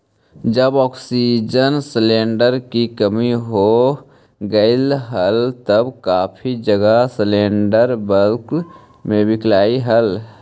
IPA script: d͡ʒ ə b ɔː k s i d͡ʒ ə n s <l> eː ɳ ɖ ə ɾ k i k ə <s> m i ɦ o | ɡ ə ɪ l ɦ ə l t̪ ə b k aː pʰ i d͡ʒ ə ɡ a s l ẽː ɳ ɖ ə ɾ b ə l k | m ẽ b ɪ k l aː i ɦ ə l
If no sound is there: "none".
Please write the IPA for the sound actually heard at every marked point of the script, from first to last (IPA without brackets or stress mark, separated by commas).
l, none